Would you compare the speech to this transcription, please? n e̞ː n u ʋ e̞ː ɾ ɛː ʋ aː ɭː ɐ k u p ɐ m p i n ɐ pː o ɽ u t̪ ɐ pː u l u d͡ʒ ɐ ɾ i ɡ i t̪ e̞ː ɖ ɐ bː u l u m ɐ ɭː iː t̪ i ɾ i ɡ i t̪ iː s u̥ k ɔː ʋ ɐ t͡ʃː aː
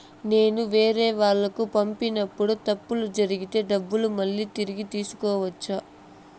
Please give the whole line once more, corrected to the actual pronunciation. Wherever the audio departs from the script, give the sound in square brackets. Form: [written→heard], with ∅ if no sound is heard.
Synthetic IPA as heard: n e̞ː n u ʋ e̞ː ɾ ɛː ʋ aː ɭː ɐ k u p ɐ m p i n ɐ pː [o→u] ɽ u t̪ ɐ pː u l u d͡ʒ ɐ ɾ i ɡ i t̪ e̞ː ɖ ɐ bː u l u m ɐ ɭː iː t̪ i ɾ i ɡ i t̪ iː s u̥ k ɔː ʋ ɐ t͡ʃː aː